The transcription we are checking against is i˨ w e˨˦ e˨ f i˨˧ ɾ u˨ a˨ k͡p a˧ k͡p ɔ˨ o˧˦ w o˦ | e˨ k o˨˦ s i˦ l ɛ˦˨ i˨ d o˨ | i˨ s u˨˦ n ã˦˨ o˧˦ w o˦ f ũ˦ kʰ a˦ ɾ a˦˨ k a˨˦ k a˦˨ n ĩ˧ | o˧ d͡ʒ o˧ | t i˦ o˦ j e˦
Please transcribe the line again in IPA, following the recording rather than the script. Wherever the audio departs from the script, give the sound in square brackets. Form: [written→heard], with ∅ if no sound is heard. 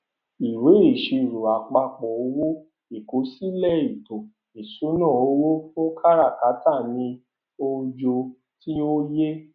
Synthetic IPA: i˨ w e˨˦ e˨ [f→ʃ] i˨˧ ɾ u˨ a˨ k͡p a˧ k͡p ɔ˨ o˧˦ w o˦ | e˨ k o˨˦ s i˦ l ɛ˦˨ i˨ [d→t] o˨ | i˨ s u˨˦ n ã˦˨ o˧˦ w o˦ f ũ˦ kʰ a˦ ɾ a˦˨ k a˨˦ [k→t] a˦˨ n ĩ˧ | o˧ d͡ʒ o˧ | t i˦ o˦ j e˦